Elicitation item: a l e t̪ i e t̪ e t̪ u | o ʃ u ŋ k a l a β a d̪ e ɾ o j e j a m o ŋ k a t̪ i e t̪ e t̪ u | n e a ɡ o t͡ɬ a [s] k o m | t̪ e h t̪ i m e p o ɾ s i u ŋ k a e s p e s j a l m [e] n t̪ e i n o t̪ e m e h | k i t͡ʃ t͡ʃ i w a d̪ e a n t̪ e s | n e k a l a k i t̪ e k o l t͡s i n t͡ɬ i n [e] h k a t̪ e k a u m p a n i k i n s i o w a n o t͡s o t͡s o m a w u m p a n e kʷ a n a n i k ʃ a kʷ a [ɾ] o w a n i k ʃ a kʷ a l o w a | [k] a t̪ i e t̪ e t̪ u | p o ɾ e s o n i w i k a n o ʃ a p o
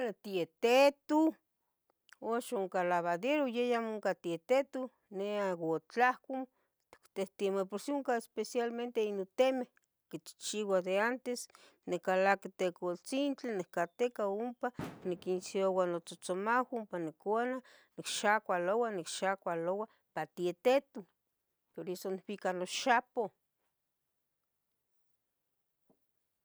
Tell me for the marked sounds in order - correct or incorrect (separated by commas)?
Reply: incorrect, correct, correct, incorrect, incorrect